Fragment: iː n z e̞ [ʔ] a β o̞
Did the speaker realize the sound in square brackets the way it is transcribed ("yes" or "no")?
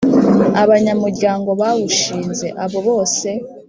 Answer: yes